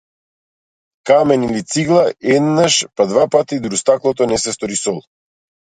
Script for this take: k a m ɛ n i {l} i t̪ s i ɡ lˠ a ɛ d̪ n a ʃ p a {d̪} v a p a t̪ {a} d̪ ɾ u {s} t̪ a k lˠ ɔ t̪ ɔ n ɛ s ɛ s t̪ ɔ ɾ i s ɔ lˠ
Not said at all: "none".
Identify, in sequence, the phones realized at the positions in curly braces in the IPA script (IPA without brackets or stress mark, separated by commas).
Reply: l, d̪, i, s